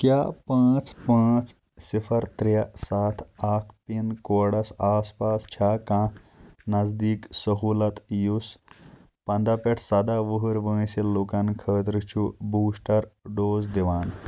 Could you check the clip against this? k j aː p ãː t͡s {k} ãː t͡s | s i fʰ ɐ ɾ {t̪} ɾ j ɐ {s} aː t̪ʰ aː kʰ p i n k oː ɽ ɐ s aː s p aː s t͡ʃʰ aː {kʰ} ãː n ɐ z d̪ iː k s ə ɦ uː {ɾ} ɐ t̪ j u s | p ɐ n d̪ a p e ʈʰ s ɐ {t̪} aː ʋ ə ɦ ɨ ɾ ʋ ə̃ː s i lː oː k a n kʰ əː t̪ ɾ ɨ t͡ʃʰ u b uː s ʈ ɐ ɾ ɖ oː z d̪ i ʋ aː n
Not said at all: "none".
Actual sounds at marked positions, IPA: p, t̪, s, k, l, d̪

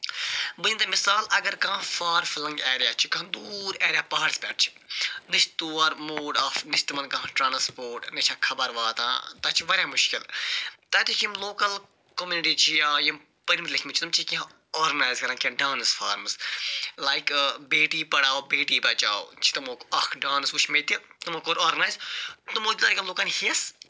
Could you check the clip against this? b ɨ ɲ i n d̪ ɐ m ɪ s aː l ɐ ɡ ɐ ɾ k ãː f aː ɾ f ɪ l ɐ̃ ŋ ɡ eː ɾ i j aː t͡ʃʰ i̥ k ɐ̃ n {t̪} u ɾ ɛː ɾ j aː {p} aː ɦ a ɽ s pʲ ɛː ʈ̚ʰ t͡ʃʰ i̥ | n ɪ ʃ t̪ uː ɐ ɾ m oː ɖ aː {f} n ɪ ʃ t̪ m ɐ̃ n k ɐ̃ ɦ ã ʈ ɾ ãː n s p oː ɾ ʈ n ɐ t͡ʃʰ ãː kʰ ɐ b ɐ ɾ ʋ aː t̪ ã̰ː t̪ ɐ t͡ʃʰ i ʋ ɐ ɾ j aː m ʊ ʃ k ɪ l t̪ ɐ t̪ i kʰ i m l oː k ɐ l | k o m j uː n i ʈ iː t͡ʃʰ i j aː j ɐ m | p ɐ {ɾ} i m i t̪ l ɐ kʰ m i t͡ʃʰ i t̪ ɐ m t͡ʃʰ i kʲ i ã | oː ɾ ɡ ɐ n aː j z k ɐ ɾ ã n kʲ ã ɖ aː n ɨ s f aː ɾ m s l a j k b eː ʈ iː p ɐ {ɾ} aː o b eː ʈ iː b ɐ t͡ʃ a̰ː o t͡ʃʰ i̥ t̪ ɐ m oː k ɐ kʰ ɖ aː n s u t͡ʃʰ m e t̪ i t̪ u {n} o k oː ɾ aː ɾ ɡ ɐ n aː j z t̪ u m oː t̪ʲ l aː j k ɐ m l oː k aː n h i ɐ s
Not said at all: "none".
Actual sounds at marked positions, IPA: d̪, p, f, ɾ, ɽ, m

